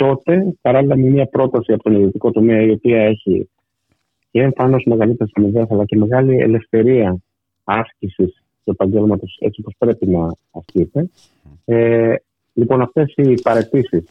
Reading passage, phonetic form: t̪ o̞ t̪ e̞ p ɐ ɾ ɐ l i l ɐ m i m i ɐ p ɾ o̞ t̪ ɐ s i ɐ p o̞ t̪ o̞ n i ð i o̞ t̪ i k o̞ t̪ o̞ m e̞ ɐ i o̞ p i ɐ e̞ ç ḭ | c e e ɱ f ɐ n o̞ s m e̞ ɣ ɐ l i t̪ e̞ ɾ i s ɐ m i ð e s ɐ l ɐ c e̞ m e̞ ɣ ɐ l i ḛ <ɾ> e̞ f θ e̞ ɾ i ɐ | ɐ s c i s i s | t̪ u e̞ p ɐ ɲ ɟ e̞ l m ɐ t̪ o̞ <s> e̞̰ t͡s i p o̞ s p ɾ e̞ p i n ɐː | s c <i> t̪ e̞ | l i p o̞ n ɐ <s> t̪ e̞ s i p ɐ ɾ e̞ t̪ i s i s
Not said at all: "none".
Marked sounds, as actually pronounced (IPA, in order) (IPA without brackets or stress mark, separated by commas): l, s, i, f